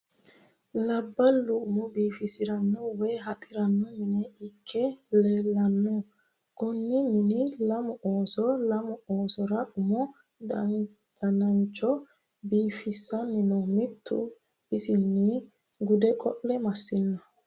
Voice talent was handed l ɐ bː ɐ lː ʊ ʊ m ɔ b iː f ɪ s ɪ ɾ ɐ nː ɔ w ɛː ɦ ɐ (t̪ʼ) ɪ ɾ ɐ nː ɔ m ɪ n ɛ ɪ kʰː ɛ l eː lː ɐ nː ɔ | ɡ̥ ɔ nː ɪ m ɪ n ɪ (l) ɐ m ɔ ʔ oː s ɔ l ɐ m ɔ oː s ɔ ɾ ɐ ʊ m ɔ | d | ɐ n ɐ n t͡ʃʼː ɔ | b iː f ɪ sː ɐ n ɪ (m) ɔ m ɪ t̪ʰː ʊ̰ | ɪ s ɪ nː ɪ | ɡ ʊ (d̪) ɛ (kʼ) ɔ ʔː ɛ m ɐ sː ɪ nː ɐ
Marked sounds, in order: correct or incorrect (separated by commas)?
correct, correct, incorrect, correct, correct